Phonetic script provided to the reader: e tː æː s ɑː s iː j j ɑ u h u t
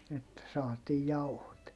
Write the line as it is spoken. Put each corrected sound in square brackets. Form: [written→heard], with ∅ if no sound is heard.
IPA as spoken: e tː [æː→æ] s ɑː [s→t] iː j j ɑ u h [u→o] t